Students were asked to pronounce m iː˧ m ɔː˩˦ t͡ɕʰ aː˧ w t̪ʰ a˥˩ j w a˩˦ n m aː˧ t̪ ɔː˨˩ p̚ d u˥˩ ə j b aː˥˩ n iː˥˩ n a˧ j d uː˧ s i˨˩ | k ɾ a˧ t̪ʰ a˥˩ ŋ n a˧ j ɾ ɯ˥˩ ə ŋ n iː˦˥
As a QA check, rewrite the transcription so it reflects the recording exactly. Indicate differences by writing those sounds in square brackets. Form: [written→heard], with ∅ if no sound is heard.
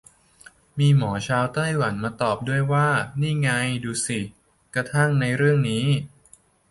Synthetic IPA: m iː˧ m ɔː˩˦ t͡ɕʰ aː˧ w [t̪ʰ→t̪] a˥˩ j w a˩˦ n m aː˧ t̪ ɔː˨˩ p̚ d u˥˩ ə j [b→w] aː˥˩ n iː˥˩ [n→ŋ] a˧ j d uː˧ s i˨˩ | k ɾ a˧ t̪ʰ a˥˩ ŋ n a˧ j ɾ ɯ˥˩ ə ŋ n iː˦˥